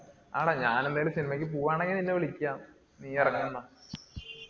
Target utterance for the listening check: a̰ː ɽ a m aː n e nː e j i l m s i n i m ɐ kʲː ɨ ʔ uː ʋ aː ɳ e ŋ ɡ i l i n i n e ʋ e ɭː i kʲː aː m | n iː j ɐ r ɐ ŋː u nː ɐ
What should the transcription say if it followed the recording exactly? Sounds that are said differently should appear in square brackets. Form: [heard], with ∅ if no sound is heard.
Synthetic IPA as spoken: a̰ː ɽ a [ɲ] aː n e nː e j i l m s i n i m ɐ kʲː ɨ [p] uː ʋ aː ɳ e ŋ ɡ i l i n i [nː] e ʋ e [ɭ] i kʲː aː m | n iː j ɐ r ɐ ŋː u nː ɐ